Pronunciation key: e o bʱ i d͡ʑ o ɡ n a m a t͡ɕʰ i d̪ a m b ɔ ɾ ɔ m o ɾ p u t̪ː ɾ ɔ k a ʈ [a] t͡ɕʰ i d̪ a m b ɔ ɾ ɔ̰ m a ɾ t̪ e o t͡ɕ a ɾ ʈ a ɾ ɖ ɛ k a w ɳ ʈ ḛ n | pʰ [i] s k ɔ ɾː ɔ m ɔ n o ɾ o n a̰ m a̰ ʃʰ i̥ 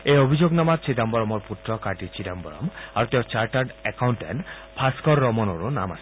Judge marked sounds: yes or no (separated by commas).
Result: no, no